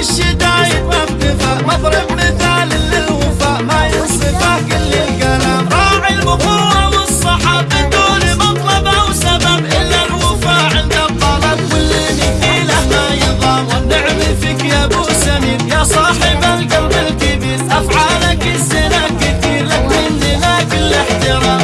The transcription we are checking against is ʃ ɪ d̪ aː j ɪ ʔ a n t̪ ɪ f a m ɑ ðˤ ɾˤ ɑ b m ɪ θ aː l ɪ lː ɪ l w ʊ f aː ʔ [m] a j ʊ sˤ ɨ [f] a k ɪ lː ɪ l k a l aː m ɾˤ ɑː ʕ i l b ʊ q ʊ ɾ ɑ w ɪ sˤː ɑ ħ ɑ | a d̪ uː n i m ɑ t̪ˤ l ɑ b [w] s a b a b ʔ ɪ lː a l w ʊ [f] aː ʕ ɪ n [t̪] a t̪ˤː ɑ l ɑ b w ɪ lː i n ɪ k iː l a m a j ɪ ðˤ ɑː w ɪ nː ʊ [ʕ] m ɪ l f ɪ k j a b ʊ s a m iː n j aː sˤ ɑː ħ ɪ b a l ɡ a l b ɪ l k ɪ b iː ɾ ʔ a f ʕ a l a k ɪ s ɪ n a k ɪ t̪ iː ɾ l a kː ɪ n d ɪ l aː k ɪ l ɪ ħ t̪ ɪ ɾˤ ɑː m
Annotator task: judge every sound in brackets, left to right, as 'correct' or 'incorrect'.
correct, correct, correct, correct, incorrect: d̪, correct

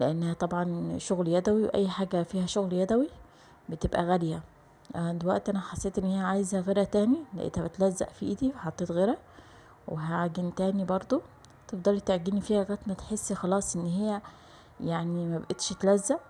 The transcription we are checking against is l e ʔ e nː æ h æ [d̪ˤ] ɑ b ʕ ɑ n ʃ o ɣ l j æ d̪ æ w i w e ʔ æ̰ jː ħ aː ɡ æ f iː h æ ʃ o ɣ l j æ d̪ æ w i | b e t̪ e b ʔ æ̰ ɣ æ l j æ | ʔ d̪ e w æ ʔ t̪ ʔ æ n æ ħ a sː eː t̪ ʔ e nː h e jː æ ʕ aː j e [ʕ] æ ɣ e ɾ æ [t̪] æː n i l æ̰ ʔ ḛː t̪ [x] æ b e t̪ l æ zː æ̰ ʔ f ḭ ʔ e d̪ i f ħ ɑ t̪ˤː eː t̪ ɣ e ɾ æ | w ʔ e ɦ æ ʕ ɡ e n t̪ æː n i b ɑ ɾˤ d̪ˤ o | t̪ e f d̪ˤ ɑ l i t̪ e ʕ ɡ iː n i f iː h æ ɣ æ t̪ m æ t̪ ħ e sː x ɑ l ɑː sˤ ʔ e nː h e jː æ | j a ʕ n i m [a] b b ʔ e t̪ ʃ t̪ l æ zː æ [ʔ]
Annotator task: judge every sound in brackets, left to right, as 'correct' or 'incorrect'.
incorrect: t̪ˤ, incorrect: z, correct, incorrect: h, incorrect: æ, correct

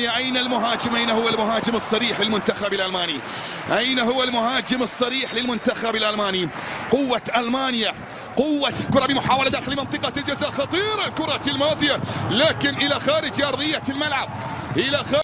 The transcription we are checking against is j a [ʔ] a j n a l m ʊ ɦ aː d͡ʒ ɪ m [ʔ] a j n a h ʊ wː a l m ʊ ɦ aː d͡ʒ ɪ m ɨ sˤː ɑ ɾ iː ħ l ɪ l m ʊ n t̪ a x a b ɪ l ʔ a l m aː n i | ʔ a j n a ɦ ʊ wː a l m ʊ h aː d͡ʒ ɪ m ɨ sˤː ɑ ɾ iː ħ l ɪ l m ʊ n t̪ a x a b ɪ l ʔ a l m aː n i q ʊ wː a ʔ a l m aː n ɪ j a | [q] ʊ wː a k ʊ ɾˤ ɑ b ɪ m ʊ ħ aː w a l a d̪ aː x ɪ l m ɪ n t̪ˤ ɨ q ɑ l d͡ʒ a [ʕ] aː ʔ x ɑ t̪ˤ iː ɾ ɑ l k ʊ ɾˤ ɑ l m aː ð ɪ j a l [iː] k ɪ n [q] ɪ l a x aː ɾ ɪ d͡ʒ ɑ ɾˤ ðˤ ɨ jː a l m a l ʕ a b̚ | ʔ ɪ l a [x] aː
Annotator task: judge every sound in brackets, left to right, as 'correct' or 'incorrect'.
correct, correct, correct, incorrect: z, incorrect: aː, incorrect: ʔ, correct

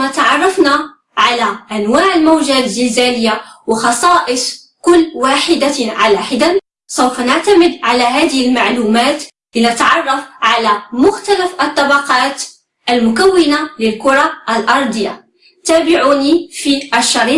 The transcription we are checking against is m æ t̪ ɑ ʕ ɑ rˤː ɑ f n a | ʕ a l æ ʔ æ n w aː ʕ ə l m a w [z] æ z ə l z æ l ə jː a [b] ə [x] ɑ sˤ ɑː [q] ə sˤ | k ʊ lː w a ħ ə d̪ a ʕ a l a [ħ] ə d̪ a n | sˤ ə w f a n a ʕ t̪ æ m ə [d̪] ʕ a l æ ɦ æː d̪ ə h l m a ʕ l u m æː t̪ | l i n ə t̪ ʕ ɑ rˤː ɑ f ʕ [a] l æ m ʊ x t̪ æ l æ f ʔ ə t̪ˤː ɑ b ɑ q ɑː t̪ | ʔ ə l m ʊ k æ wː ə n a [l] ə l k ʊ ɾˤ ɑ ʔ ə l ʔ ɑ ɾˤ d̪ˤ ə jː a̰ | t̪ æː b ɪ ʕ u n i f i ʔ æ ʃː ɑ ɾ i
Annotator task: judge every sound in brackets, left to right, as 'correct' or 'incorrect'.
incorrect: ʒ, incorrect: w, correct, incorrect: ʔ, correct, correct, correct, correct

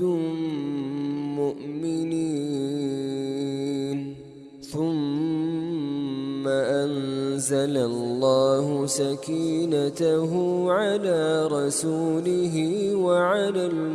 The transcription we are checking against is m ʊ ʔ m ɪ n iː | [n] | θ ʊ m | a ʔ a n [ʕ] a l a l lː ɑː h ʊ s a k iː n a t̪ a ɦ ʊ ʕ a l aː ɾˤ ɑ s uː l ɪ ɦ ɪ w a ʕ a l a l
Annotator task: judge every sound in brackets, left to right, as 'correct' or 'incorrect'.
correct, incorrect: z

